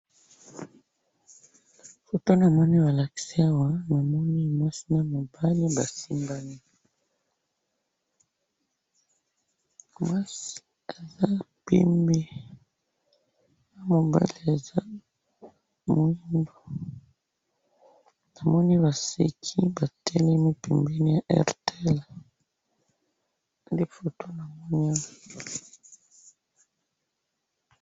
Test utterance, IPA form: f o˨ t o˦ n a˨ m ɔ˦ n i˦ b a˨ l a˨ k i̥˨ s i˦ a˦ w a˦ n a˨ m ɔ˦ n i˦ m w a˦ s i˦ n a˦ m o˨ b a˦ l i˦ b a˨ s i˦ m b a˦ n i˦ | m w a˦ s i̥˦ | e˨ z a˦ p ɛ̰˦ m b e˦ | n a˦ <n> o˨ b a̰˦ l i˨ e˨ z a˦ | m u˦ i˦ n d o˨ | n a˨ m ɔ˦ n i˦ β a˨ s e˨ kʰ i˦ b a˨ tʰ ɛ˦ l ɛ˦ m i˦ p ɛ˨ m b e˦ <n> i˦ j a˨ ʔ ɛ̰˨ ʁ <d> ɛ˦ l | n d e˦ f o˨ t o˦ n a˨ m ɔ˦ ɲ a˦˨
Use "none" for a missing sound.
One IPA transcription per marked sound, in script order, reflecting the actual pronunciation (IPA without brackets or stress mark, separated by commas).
m, n, t